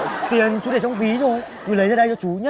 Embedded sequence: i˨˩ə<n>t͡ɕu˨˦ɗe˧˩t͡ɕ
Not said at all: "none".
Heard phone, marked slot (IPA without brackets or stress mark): n